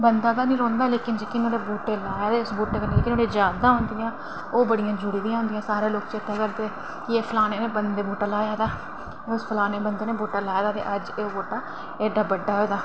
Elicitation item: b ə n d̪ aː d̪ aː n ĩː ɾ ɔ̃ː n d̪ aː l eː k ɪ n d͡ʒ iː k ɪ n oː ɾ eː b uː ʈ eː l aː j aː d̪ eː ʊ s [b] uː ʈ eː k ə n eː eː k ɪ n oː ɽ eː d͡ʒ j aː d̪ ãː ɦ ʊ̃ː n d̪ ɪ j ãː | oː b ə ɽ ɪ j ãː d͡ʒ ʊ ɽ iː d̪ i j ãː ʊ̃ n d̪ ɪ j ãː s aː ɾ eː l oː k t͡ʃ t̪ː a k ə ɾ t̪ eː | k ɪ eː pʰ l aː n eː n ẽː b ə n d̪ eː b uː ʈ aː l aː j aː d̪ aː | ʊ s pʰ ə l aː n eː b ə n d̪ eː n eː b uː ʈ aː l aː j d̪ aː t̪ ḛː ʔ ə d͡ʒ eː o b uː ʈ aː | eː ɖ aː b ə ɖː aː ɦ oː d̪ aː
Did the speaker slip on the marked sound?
no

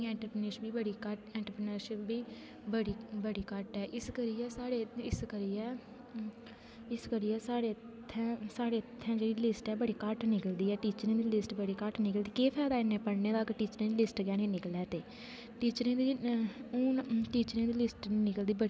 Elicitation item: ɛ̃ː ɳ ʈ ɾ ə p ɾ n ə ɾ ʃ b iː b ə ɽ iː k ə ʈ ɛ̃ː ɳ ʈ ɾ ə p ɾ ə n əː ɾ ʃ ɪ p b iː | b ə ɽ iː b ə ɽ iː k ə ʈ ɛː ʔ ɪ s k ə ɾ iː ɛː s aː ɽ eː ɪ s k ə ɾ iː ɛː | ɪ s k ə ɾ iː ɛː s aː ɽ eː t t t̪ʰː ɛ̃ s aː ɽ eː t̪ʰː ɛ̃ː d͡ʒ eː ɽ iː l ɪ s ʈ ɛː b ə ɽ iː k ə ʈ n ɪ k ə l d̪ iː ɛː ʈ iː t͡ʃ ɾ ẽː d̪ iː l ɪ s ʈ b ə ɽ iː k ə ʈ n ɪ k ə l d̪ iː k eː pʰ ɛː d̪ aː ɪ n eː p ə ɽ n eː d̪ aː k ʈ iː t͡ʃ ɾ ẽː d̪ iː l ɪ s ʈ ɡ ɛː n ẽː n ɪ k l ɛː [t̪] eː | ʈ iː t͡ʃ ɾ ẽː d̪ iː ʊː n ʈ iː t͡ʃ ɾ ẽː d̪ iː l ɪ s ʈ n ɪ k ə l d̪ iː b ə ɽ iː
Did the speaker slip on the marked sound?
no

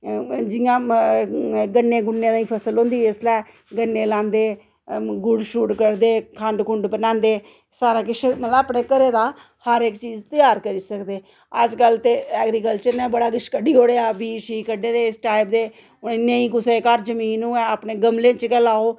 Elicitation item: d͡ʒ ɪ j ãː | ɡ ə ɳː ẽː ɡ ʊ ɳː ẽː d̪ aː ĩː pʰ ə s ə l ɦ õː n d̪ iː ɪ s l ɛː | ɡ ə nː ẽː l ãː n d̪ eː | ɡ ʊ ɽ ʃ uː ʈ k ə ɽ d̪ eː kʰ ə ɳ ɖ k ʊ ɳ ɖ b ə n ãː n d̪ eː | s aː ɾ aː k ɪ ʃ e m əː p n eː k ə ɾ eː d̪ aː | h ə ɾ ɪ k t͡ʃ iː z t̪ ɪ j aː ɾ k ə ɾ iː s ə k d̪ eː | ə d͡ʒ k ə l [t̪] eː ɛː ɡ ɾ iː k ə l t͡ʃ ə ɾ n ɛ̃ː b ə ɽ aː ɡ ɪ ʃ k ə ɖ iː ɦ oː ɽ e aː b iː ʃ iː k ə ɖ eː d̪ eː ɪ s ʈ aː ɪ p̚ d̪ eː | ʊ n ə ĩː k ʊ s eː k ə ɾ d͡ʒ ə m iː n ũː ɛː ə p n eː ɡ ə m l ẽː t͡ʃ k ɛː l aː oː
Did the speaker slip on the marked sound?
no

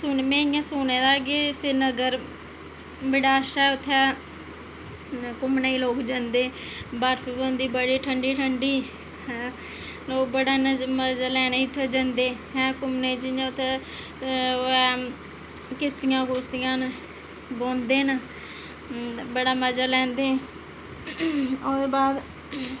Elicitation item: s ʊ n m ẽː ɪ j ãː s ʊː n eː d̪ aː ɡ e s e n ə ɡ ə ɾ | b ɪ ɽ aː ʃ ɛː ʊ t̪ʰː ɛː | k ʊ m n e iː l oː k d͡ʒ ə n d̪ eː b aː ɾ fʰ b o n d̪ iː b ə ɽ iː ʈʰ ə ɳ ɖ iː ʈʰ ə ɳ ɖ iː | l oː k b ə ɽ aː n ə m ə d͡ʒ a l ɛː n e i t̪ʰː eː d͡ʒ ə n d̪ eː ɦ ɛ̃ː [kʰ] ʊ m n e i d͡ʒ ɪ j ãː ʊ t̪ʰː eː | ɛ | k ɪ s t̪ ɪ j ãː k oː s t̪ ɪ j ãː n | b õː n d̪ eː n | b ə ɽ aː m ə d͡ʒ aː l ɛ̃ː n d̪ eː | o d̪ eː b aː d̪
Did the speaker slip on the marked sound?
yes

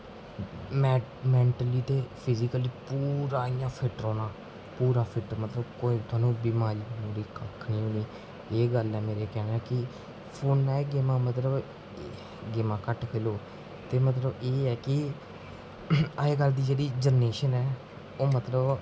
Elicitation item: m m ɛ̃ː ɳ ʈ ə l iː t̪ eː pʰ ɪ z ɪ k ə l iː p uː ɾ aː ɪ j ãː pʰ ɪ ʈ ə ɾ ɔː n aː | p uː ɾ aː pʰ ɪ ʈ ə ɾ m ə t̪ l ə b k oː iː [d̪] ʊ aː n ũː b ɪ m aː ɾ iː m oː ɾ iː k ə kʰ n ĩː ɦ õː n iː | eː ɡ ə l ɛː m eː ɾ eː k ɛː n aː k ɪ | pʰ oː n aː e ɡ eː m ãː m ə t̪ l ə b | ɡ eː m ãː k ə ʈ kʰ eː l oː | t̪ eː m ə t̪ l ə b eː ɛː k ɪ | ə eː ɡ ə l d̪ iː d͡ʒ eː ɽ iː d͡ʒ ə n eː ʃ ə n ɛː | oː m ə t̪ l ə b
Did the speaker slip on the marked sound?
yes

